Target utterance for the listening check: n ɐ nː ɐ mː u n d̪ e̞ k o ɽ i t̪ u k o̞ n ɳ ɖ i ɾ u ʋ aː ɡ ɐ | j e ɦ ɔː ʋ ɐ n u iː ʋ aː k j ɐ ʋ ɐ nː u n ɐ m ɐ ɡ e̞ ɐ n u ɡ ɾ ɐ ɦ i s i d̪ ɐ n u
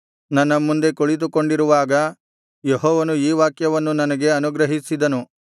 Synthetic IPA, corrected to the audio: n ɐ nː ɐ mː u n d̪ e̞ k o ɭ i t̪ u k o̞ ɳ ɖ i ɾ u ʋ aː ɡ ɐ | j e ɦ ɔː ʋ ɐ n u iː ʋ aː k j ɐ ʋ ɐ nː u n ɐ n ɐ ɡ e̞ ɐ n u ɡ ɾ ɐ ɦ i s i d̪ ɐ n u